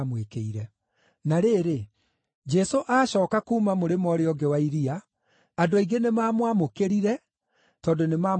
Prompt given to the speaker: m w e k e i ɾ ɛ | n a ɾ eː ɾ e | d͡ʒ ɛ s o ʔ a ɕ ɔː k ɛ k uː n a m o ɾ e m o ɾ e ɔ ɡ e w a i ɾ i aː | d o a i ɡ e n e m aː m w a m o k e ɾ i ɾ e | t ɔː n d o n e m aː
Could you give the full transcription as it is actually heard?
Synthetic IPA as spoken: m w e k e i ɾ ɛ | n a ɾ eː ɾ e | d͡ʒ ɛ s o ʔ a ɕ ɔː k a k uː m a m o ɾ e m ɔ ɾ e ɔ ɡ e w a i ɾ i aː | d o a i ɡ e n e m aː m w a m o k e ɾ i ɾ ɛ | t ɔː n d o n e m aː